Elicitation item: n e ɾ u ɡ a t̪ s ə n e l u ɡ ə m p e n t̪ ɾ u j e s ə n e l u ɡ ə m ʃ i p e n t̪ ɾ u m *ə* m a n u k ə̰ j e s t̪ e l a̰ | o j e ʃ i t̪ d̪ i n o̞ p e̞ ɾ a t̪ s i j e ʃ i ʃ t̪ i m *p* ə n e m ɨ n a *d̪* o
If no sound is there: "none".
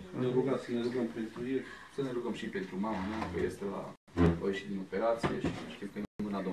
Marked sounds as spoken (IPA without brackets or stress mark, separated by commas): a, k, d̪